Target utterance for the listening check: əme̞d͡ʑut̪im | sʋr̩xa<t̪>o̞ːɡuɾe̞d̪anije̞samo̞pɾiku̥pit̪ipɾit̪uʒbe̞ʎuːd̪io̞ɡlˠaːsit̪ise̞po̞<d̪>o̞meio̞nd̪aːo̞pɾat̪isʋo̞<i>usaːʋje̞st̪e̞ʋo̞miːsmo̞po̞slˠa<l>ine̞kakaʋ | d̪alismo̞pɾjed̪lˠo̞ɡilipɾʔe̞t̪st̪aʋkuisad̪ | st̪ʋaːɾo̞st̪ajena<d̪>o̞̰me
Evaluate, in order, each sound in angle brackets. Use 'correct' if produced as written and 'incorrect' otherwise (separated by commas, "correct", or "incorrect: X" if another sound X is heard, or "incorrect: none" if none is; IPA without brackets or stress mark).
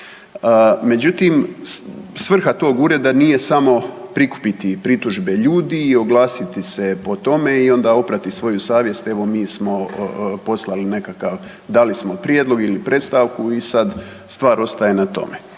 correct, incorrect: t̪, incorrect: j, correct, incorrect: t̪